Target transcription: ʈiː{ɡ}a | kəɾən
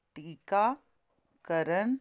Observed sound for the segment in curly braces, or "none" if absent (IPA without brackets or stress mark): k